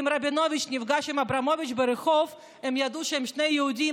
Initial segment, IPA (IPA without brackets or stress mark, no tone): m